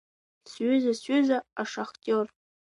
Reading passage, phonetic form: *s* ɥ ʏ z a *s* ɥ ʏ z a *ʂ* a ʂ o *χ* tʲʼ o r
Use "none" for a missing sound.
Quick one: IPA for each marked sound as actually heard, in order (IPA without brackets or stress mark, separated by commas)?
s, s, none, χ